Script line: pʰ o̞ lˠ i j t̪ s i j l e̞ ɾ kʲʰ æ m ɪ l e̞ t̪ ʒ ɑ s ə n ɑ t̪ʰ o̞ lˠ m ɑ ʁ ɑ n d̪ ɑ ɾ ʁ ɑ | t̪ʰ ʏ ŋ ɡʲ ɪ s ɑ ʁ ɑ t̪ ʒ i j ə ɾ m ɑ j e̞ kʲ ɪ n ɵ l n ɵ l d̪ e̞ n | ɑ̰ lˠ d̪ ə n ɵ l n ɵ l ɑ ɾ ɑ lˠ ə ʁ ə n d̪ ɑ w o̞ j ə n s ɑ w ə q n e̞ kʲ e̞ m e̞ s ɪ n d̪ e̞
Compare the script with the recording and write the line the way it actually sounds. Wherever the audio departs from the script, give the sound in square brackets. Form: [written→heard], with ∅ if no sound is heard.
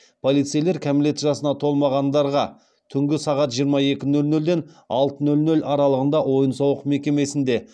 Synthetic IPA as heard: pʰ o̞ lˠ i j t̪ s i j l e̞ ɾ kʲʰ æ m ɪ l e̞ t̪ ʒ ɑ s ə n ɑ t̪ʰ o̞ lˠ m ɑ ʁ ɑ n d̪ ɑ ɾ ʁ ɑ | t̪ʰ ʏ ŋ ɡʲ ɪ s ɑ ʁ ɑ t̪ ʒ i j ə ɾ m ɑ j e̞ kʲ ɪ n ɵ l n ɵ l d̪ e̞ n | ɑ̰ lˠ [d̪→t̪] ə n ɵ l n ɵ l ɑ ɾ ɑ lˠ ə ʁ ə n d̪ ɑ w o̞ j ə n s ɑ w ə q [n→m] e̞ kʲ e̞ m e̞ s ɪ n d̪ e̞